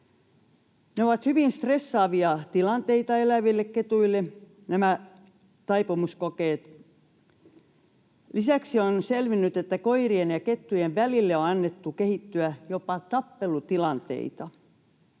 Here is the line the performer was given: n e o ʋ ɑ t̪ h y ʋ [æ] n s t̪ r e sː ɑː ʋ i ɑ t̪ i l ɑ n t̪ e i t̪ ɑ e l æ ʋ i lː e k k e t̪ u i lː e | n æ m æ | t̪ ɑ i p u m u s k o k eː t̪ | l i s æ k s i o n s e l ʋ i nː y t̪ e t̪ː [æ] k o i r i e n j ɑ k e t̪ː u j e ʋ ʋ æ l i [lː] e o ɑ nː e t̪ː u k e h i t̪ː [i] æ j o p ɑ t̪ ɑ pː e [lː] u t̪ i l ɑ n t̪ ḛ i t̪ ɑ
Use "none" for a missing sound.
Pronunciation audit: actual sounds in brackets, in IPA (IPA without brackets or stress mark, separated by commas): i, æ, lː, y, l